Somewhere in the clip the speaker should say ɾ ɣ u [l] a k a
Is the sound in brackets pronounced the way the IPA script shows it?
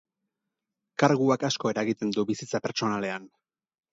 no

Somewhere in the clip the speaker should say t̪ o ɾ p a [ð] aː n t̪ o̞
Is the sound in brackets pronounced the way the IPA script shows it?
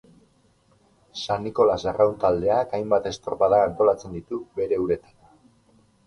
yes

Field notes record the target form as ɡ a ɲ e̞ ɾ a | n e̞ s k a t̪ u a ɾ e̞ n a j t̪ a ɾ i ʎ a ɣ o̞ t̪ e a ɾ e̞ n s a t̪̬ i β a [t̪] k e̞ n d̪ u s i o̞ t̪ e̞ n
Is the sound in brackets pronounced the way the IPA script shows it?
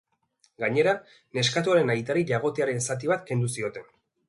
yes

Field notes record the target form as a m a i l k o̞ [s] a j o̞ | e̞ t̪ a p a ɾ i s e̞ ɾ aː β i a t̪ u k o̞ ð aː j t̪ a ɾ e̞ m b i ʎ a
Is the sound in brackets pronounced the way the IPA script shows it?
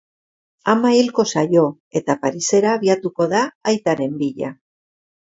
yes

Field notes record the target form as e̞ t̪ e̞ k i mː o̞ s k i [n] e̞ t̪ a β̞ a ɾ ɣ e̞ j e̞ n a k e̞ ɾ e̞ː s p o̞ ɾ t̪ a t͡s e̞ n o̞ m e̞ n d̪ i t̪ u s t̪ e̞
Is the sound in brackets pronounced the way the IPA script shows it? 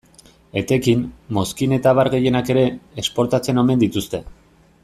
yes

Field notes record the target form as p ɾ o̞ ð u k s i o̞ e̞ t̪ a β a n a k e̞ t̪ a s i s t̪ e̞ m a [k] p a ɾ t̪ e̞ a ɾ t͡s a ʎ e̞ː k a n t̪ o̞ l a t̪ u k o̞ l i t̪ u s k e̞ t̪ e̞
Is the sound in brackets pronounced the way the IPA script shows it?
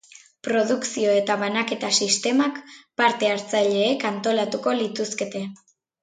yes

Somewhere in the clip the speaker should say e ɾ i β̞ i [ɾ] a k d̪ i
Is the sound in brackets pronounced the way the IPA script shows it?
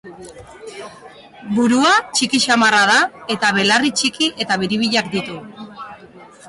no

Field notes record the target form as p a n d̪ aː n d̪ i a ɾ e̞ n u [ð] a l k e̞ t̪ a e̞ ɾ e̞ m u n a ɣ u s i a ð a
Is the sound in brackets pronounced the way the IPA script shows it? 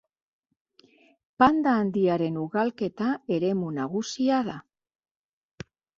no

